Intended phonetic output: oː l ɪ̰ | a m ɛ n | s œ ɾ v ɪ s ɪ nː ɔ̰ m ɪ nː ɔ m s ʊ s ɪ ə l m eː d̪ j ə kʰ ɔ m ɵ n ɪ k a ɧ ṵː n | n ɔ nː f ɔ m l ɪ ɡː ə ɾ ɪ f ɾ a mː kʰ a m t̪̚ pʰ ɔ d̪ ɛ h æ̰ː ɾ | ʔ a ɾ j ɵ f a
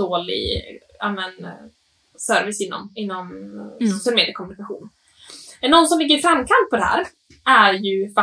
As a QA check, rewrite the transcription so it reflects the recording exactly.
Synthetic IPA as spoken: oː l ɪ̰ | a m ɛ n | s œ ɾ v ɪ s ɪ nː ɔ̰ m ɪ nː ɔ m s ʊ s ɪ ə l m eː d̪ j ə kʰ ɔ m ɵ n ɪ k a ɧ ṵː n | n ɔ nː s ɔ m l ɪ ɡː ə ɾ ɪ f ɾ a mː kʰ a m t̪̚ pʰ ɔ d̪ ɛ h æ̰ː ɾ | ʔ æ ɾ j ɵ f a